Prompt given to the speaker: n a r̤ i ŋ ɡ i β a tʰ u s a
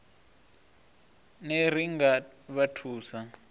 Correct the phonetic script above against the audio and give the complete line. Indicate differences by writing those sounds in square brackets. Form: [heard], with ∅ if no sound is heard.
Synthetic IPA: n [e] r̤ i ŋ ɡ [a] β a tʰ [uː] s a